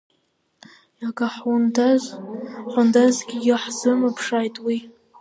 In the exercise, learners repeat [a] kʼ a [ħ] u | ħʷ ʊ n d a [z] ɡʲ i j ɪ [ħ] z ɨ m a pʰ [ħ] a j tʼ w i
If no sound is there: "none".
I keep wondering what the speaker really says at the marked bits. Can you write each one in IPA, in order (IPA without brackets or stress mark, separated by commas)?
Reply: a, ħ, z, ħ, ʂ